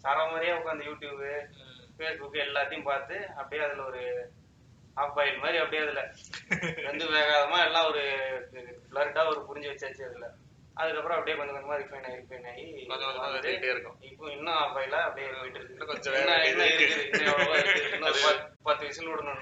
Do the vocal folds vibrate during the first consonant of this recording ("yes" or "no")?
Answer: no